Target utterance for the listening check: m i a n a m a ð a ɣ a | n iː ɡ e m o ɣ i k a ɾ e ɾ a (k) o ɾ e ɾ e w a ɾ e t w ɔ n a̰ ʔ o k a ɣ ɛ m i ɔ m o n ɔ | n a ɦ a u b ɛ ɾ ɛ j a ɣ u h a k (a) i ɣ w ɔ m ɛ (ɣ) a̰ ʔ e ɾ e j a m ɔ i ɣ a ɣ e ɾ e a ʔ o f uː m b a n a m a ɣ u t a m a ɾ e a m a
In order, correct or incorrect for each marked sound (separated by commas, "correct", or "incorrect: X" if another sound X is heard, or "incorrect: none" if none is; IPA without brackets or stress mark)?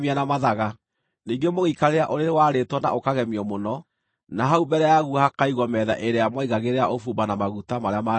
incorrect: ʔ, correct, incorrect: ð